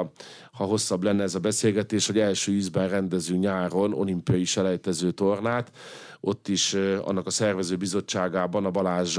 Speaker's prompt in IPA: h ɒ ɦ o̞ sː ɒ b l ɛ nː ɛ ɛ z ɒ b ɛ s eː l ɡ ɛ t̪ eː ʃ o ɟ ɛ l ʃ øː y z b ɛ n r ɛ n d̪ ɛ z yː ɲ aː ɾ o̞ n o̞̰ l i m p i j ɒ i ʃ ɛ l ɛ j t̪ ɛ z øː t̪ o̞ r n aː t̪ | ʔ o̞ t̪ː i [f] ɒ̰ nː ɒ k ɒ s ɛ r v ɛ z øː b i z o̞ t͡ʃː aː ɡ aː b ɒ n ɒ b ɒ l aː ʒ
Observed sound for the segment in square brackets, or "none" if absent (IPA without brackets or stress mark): ʃ